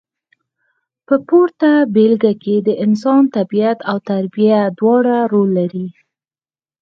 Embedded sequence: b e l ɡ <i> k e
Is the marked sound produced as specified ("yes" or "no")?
no